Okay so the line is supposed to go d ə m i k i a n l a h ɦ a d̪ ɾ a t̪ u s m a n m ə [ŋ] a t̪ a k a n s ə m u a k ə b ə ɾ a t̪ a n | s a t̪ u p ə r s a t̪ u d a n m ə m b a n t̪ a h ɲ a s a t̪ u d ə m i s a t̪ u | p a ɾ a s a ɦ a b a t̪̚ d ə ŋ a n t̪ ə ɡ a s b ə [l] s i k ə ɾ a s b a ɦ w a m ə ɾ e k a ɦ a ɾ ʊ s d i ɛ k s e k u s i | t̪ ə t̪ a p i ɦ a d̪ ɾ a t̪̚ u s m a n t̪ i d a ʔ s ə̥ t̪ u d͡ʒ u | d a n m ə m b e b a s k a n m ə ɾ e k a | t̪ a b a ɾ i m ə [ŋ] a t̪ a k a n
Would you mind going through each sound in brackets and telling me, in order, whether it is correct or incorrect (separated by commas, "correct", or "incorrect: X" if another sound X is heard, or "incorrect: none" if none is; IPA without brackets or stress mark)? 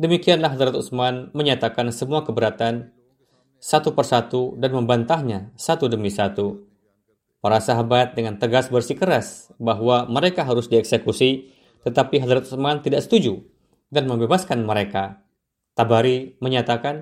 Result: incorrect: ɲ, incorrect: r, incorrect: ɲ